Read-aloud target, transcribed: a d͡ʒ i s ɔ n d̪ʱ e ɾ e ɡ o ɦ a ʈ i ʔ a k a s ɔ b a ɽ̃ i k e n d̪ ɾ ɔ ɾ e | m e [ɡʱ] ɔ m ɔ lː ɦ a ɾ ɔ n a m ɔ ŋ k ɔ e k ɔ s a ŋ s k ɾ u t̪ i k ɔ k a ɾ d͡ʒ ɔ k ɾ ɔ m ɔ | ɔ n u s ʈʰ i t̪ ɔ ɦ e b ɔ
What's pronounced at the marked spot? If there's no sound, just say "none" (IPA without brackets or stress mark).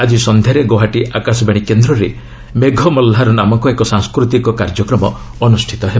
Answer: ɡʱ